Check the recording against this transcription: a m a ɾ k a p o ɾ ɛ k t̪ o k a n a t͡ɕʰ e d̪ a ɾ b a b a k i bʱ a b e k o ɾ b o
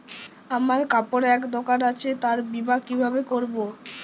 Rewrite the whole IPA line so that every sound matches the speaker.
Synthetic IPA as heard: a m a ɾ k a p o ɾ ɛ k d̪ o k a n a t͡ɕʰ e t̪ a ɾ b i b a k i bʱ a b e k o ɾ b o